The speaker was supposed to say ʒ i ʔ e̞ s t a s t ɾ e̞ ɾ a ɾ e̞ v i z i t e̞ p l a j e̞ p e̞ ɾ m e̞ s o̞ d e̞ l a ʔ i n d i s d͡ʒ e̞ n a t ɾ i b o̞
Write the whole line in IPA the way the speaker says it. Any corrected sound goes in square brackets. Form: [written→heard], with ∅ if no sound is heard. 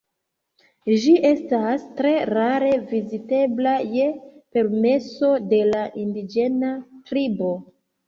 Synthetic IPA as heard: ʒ i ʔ e̞ s t a s t ɾ e̞ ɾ a ɾ e̞ v i z i t e̞ [p→b] l a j e̞ p e̞ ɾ m e̞ s o̞ d e̞ l a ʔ i n d i [s→∅] d͡ʒ e̞ n a t ɾ i b o̞